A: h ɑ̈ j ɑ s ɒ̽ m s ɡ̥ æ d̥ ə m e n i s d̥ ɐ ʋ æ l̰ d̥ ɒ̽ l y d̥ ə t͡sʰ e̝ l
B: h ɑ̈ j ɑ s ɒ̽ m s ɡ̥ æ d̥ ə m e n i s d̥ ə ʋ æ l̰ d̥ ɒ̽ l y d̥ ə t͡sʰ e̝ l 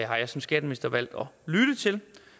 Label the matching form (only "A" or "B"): A